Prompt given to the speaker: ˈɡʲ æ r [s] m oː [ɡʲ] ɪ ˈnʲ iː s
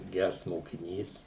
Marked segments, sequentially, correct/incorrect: correct, incorrect: kʲ

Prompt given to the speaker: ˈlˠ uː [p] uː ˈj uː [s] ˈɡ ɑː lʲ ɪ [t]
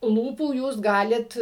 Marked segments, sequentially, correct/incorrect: correct, correct, correct

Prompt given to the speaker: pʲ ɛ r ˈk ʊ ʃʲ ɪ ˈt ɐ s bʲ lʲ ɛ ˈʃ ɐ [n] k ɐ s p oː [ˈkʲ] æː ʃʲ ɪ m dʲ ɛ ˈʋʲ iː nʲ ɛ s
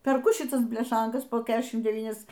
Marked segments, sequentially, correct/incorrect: incorrect: ŋ, correct

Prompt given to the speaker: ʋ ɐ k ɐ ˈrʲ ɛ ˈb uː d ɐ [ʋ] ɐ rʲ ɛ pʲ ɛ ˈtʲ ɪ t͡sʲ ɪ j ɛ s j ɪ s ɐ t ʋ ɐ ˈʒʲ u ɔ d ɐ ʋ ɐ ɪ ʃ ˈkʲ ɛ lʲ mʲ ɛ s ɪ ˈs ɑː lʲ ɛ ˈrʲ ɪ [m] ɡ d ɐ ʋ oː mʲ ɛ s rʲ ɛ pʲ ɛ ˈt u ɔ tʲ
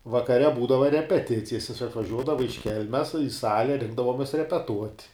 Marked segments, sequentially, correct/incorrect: correct, incorrect: ŋ

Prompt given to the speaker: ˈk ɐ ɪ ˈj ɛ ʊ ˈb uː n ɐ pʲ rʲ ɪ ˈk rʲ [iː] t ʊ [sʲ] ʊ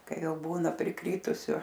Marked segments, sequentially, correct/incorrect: correct, correct

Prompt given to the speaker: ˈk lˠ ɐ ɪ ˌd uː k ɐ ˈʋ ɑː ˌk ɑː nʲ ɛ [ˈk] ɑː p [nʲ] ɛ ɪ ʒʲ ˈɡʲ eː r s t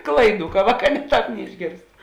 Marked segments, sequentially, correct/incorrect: incorrect: t, correct

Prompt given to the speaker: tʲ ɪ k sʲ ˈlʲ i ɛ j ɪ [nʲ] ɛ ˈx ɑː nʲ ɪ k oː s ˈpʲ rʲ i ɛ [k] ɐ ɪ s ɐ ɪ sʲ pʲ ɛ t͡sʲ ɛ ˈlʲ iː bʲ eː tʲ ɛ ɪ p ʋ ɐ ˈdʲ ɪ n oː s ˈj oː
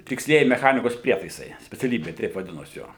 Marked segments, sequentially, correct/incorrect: incorrect: mʲ, incorrect: t

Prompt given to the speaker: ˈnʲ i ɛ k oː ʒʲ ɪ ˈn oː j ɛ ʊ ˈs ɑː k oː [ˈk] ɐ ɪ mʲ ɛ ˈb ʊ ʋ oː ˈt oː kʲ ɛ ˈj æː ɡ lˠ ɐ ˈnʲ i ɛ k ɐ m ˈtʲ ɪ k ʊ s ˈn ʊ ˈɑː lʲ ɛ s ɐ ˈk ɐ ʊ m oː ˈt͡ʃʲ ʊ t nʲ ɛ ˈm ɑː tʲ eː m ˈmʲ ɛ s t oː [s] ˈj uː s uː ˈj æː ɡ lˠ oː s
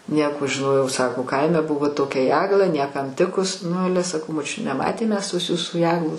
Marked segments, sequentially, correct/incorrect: correct, correct

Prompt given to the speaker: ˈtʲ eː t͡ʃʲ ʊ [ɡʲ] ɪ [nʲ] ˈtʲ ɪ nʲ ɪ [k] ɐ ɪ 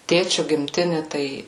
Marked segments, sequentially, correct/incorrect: correct, incorrect: mʲ, incorrect: t

